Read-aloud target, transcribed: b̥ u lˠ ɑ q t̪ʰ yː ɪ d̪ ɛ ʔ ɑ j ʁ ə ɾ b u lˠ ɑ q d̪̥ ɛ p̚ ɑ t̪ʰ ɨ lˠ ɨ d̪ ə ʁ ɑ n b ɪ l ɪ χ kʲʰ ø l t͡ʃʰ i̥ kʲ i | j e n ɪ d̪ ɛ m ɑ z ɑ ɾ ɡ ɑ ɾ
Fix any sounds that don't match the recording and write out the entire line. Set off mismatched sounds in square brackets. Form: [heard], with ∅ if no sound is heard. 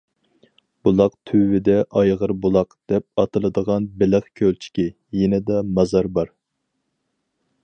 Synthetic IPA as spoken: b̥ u lˠ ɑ q t̪ʰ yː ɪ d̪ ɛ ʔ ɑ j ʁ ə ɾ b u lˠ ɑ q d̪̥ ɛ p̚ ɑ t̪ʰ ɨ lˠ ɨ d̪ ə ʁ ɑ n b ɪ l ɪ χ kʲʰ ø l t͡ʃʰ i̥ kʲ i | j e n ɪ d̪ ɛ m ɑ z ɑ ɾ [b] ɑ ɾ